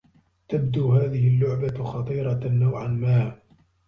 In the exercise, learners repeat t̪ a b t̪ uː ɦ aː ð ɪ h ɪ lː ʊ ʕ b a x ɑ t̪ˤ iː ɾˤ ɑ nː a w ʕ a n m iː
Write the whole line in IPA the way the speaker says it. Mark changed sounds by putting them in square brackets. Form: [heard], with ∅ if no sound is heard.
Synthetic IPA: t̪ a b [d̪] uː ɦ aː ð ɪ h ɪ lː ʊ ʕ b a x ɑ t̪ˤ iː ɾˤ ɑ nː a w ʕ a n m [aː]